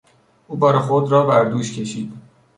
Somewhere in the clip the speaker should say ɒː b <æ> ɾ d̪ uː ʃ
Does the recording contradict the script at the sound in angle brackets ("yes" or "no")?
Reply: no